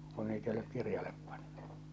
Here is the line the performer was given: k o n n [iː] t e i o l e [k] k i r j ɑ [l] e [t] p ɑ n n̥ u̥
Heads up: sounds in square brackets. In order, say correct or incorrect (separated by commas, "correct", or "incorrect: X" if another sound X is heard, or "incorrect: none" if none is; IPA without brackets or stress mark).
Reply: correct, correct, correct, incorrect: p